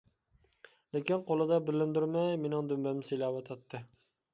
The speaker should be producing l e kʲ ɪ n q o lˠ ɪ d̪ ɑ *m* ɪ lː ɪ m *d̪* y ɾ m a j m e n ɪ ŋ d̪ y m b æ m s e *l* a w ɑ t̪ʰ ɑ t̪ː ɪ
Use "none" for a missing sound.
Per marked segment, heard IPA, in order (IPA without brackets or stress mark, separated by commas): b, d̪, l